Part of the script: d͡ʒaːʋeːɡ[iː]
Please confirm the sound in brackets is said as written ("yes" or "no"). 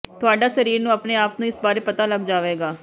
no